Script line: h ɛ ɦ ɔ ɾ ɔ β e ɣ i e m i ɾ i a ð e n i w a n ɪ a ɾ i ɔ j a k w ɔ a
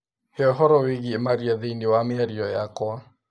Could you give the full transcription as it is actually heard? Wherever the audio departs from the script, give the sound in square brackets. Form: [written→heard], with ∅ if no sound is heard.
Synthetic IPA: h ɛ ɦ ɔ ɾ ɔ [β→w] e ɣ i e m [i→a] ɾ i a ð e n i w a [n→m] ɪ a ɾ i ɔ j a k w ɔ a